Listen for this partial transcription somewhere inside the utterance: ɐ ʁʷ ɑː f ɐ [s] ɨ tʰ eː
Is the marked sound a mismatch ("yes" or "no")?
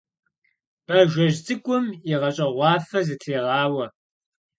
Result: yes